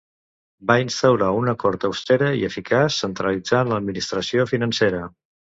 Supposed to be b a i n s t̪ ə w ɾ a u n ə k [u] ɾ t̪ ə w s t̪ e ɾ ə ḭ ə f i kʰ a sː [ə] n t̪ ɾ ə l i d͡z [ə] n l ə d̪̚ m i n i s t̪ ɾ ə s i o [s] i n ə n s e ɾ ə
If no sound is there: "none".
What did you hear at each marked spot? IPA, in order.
ɔ, ə, a, f

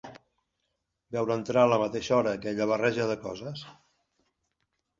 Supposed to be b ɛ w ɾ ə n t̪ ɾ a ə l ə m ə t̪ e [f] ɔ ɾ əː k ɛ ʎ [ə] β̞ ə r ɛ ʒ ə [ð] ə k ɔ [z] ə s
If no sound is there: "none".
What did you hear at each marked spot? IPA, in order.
ʃ, ə, ð, z

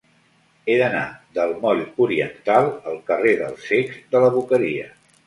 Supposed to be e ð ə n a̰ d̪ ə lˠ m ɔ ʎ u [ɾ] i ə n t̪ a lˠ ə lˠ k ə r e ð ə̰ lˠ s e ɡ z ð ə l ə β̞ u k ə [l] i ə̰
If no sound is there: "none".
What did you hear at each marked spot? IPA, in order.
ɾ, ɾ

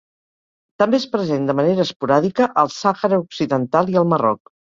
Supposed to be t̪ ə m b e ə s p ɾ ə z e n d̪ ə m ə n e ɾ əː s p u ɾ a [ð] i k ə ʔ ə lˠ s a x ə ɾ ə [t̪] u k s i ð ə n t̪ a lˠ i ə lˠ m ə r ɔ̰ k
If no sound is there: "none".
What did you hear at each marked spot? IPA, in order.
ð, none

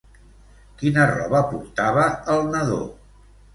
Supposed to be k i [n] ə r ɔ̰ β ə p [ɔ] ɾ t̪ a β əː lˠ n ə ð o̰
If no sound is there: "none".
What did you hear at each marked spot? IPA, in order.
n, u

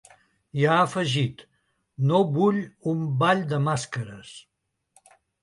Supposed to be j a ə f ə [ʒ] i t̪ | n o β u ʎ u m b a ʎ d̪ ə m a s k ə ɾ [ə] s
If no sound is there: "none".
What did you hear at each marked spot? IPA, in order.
ʒ, ə

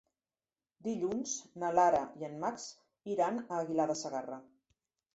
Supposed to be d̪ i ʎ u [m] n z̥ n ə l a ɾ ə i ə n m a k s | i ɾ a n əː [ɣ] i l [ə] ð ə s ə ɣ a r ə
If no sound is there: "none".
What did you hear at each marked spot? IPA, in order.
none, ɣ, a

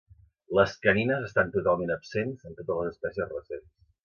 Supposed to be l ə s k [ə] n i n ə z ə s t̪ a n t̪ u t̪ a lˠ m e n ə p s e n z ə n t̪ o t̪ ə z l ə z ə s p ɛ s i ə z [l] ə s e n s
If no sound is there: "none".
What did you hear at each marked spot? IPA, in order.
ə, r

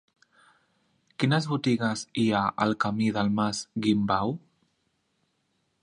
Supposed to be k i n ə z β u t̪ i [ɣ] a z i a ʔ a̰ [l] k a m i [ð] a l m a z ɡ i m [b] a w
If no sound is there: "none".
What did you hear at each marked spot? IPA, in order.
ɣ, l, ð, b

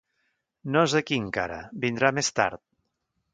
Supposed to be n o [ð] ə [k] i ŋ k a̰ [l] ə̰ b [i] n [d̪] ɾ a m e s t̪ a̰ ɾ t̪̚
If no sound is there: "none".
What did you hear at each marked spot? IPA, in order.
z, k, ɾ, i, d̪

